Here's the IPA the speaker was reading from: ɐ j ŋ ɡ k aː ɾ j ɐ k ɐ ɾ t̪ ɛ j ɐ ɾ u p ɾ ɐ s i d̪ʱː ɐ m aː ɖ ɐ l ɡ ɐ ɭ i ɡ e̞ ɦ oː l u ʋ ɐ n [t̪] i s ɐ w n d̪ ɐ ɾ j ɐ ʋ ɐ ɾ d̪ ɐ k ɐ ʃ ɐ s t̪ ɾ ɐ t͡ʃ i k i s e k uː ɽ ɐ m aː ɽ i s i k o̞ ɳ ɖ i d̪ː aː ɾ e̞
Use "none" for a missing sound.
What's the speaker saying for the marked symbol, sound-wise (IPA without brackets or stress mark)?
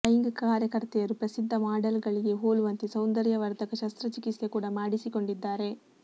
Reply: t̪